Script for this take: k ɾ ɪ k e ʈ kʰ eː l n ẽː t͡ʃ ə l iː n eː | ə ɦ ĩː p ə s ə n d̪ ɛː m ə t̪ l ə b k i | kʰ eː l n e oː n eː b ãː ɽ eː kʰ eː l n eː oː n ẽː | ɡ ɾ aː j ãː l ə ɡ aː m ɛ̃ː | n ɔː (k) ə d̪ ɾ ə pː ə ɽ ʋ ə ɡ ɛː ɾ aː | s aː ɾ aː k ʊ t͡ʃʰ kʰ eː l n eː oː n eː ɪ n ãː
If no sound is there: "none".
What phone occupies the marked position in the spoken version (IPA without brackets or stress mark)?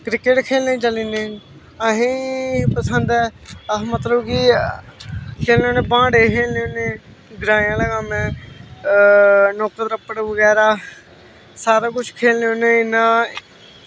k